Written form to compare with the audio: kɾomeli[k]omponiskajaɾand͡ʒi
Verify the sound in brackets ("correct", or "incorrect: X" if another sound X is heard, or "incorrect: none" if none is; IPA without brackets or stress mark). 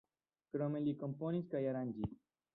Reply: correct